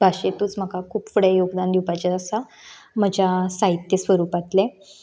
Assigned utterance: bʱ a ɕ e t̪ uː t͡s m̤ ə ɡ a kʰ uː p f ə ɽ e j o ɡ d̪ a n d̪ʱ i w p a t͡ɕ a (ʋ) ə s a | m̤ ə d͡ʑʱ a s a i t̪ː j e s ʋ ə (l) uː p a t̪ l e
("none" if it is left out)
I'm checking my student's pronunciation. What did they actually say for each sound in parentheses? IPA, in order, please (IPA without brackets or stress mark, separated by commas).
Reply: none, ɾ